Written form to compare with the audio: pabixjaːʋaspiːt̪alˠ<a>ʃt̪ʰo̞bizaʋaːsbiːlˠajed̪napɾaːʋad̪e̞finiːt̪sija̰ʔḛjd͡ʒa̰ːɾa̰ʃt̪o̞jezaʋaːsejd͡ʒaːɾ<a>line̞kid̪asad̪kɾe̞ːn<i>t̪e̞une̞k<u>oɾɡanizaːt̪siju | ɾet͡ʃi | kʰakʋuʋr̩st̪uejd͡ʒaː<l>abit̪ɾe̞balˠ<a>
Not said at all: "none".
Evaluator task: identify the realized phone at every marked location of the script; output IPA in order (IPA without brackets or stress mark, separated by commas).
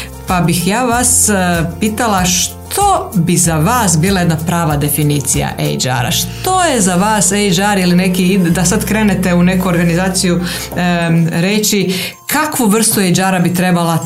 a, i, e, u, ɾ, a